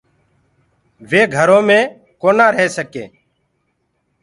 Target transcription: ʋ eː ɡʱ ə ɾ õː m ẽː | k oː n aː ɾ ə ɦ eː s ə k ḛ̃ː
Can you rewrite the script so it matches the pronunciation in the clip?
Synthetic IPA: ʋ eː ɡʱ ə ɾ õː m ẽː | k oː n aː ɾ ə ɦ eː s ə k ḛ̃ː